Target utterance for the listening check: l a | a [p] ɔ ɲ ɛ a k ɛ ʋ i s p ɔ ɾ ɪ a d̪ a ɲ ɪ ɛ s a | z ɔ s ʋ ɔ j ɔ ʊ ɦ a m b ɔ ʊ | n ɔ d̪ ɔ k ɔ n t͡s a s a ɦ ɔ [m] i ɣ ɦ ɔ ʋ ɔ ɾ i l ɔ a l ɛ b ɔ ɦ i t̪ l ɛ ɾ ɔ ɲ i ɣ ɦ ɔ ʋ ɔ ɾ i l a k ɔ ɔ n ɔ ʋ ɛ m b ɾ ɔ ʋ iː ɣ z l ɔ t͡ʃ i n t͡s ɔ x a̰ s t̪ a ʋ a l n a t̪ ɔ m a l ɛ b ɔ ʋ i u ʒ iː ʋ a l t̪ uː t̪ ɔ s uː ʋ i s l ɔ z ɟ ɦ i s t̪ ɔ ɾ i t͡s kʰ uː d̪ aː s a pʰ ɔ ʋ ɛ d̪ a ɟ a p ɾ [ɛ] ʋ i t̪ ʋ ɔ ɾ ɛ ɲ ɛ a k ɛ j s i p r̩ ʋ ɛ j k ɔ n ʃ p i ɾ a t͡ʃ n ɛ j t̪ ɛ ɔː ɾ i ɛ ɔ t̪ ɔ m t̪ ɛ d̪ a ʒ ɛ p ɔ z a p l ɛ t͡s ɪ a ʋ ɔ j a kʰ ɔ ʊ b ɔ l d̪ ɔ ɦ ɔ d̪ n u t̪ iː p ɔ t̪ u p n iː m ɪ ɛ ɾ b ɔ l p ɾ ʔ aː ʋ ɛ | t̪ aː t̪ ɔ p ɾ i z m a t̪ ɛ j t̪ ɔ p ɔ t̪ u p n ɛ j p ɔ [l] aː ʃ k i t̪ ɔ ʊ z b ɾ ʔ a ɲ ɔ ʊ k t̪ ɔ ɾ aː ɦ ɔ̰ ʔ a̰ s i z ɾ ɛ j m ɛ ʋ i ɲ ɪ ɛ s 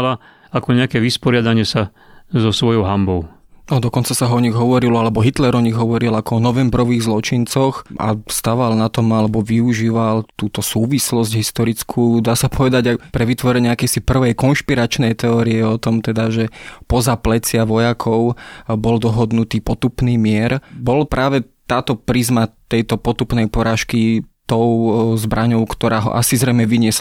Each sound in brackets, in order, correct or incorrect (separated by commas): incorrect, incorrect, correct, incorrect